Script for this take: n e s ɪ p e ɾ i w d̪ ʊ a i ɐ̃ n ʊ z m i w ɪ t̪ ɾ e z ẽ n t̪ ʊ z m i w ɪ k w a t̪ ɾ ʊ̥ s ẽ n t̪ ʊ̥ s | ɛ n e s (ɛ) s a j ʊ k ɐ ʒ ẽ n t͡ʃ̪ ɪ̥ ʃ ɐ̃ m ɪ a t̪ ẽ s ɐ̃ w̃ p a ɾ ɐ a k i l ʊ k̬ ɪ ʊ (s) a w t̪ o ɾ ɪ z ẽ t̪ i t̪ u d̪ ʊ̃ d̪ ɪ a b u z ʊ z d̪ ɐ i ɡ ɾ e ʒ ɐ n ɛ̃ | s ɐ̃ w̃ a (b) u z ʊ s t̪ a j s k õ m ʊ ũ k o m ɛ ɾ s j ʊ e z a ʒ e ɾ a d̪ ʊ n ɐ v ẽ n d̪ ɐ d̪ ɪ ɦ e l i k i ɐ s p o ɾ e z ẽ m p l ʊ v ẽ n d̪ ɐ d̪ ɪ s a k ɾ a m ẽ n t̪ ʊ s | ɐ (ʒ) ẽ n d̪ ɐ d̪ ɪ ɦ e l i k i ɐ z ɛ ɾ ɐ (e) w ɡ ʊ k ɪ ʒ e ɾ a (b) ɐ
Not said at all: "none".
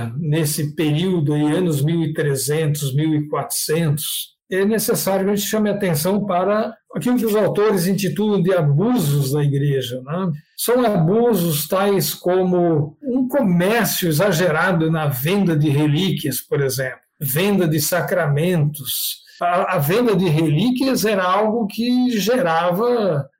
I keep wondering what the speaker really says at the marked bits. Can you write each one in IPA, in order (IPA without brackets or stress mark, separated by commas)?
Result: e, z, b, v, a, v